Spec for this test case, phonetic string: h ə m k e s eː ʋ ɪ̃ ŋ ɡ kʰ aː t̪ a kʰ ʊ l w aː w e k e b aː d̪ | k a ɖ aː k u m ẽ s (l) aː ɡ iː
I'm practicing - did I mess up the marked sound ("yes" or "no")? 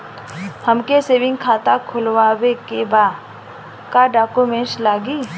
no